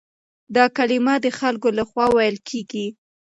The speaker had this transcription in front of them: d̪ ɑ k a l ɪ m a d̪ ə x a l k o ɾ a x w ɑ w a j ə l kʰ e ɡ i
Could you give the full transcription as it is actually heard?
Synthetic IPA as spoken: d̪ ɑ k a l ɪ m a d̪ ə x a l k o l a x w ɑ w a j ə l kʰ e ɡ i

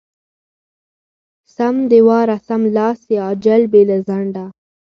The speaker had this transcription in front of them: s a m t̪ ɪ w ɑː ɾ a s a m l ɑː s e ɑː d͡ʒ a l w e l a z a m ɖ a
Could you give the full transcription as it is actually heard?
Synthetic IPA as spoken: s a m d̪ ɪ w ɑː ɾ a s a m l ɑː s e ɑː d͡ʒ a l b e l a z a ɳ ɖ a

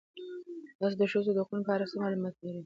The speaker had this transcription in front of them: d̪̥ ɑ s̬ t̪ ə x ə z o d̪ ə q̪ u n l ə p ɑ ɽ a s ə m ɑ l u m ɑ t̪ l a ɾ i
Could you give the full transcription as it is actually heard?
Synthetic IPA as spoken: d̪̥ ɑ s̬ d̪ ə ʃ ə z o d̪ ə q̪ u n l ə p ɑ ɾ a s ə m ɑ l u m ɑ t̪ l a ɾ i

